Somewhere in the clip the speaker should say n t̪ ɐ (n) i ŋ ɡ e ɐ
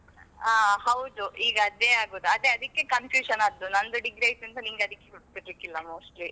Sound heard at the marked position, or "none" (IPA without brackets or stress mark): n